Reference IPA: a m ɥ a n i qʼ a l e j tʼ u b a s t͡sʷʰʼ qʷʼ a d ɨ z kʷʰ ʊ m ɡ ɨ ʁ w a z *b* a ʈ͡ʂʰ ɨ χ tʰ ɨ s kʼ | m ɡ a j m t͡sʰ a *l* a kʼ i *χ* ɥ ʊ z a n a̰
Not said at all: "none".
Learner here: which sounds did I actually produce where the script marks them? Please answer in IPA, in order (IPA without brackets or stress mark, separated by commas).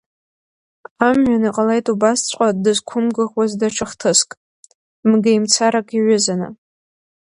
d, ɾ, none